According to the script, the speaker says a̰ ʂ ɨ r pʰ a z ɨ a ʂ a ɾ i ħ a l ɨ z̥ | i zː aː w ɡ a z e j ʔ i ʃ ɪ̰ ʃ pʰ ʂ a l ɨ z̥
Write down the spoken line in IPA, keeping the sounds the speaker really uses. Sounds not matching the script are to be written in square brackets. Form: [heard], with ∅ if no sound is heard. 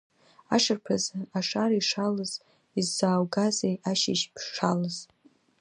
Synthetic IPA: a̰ ʂ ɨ r pʰ a z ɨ a ʂ a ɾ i [ʂ] a l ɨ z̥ | i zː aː w ɡ a z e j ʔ [a] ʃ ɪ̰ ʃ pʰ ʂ a l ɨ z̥